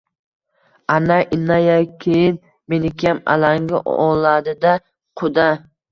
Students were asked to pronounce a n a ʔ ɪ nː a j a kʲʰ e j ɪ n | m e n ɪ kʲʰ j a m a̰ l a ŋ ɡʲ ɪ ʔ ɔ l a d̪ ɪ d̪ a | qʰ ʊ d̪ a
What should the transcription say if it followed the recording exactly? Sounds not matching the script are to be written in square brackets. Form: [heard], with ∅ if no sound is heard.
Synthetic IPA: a n a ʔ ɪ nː a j a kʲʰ e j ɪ n | m e n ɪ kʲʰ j a m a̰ l a ŋ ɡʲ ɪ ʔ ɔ l a d̪ ɪ d̪ a | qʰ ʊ d̪ a